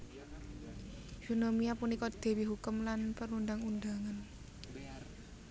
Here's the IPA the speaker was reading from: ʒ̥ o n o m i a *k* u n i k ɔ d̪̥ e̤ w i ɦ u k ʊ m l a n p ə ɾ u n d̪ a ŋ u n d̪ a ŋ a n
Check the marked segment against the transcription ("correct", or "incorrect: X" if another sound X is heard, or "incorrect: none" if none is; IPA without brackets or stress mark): incorrect: p